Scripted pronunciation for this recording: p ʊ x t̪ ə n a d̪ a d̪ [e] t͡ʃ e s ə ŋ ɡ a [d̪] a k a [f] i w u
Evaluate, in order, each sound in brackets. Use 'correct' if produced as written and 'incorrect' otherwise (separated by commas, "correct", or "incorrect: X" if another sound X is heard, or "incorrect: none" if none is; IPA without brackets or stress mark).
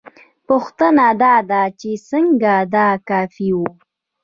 incorrect: a, correct, correct